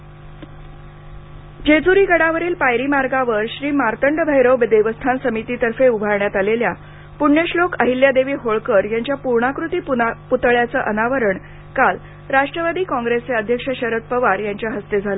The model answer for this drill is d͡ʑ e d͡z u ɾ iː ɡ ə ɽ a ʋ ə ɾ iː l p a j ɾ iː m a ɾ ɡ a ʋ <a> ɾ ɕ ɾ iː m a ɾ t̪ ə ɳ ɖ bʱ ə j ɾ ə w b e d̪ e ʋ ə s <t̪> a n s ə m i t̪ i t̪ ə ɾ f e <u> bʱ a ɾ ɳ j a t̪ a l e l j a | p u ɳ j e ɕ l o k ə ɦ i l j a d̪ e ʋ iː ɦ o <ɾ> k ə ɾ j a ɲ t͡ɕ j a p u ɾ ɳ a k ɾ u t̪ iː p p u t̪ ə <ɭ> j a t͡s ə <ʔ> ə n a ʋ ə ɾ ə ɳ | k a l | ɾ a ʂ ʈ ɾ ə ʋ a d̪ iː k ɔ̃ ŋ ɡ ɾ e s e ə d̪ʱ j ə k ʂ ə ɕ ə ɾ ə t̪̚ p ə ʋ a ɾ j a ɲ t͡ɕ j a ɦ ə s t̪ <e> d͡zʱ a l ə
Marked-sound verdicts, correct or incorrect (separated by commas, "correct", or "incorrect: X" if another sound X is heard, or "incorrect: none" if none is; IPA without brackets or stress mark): incorrect: ə, incorrect: t̪ʰ, correct, incorrect: ɭ, correct, correct, correct